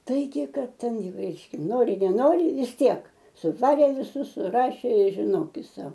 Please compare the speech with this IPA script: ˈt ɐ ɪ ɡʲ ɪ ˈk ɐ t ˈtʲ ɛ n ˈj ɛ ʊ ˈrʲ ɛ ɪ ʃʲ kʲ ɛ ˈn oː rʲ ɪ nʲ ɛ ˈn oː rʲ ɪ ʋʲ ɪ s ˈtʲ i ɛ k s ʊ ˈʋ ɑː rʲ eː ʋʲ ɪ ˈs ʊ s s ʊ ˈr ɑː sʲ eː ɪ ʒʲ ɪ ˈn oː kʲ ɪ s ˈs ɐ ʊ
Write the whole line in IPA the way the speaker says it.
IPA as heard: ˈt ɐ ɪ ɡʲ ɪ ˈk ɐ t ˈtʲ ɛ n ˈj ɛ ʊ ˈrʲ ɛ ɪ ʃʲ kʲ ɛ ˈn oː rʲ ɪ nʲ ɛ ˈn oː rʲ ɪ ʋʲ ɪ s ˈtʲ i ɛ k s ʊ ˈʋ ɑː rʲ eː ʋʲ ɪ ˈs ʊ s s ʊ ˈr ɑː ʃʲ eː ɪ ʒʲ ɪ ˈn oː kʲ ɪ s ˈs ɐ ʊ